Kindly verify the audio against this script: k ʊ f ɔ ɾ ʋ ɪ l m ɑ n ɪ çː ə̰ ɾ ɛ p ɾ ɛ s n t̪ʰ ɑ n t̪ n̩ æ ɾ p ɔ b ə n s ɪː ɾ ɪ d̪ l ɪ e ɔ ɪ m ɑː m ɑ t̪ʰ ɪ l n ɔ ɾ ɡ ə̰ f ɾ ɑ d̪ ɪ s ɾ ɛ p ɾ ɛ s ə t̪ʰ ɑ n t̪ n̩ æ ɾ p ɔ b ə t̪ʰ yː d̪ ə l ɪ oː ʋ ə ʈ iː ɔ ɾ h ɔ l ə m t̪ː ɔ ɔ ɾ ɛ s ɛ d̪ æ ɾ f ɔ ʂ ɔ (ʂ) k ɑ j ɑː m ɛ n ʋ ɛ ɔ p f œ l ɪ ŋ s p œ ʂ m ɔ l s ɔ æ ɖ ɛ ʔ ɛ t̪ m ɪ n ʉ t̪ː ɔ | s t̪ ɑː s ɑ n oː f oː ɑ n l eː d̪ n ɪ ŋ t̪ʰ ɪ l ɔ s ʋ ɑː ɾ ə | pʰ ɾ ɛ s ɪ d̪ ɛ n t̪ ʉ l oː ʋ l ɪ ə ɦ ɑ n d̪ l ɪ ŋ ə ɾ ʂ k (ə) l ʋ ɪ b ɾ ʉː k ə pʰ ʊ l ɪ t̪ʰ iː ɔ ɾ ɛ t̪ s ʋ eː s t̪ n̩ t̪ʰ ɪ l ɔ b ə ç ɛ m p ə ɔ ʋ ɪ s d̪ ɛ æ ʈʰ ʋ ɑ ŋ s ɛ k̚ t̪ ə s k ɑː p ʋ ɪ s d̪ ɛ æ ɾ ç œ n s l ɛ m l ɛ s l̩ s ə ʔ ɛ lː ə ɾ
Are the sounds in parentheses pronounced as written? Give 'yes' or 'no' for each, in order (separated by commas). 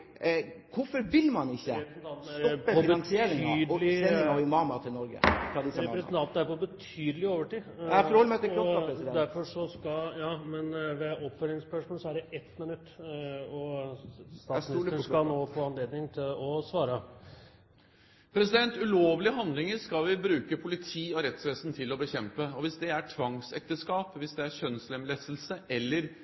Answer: no, no